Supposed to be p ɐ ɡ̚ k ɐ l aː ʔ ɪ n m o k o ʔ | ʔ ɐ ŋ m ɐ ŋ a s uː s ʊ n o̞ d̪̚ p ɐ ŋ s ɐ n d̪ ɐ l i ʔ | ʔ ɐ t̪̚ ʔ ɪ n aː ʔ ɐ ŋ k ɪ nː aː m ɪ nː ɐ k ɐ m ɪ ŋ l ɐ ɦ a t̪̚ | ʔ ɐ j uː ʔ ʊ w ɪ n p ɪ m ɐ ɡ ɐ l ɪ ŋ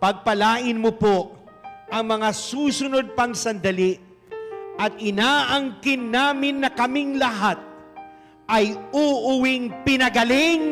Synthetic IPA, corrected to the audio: p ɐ ɡ̚ p ɐ l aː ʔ ɪ n m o p o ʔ | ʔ ɐ ŋ m ɐ ŋ a s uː s ʊ n o̞ d̪̚ p ɐ ŋ s ɐ n d̪ ɐ l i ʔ | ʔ ɐ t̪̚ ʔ ɪ n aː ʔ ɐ ŋ k ɪ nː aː m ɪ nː ɐ k ɐ m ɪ ŋ l ɐ ɦ a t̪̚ | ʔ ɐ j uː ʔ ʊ w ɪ ŋ p ɪ n ɐ ɡ ɐ l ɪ ŋ